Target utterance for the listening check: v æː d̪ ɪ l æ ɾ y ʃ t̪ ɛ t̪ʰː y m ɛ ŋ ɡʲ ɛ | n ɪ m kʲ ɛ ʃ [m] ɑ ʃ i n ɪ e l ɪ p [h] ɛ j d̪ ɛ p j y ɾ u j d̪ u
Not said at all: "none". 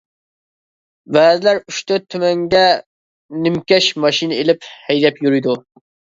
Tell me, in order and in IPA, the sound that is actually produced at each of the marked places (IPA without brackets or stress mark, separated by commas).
m, h